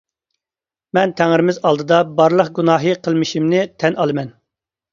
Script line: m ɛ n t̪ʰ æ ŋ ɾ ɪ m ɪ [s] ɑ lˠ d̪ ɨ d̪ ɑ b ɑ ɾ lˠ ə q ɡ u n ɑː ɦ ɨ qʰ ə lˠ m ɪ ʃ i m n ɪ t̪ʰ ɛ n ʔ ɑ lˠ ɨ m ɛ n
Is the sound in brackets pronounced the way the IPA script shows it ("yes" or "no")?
no